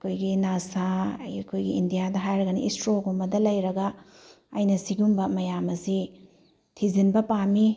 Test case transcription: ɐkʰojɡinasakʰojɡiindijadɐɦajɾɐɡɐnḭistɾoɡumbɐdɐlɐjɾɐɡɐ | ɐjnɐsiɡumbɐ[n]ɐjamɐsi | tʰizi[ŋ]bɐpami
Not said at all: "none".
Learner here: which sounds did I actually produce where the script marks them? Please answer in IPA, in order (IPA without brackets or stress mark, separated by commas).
m, n